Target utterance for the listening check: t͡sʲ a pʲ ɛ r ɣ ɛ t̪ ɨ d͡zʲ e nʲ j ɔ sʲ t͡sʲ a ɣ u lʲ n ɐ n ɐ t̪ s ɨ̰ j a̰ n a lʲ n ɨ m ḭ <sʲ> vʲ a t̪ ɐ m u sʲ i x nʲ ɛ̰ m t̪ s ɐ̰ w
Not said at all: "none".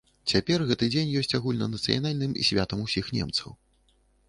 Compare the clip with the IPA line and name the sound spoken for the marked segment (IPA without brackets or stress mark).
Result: sʲ